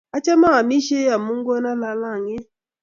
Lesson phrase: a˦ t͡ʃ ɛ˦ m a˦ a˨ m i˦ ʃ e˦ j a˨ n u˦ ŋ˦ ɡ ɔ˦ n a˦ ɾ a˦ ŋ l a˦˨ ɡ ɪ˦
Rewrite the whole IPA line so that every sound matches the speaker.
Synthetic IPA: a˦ t͡ʃ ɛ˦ m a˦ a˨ m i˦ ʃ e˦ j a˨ m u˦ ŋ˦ ɡ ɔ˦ n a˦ l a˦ l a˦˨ ŋ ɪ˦